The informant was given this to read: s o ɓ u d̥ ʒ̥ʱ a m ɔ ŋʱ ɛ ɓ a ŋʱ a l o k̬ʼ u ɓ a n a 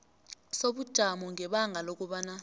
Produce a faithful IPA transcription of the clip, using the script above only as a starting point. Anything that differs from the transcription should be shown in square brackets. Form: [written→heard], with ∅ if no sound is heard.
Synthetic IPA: s o ɓ u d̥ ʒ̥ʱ a m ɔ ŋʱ ɛ ɓ a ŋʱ a l o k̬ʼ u ɓ a n a